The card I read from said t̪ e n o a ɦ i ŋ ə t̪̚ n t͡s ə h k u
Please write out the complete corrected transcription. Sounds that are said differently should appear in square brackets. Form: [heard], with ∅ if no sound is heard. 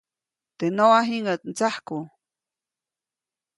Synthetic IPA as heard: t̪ e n o a ɦ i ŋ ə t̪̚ n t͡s [a] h k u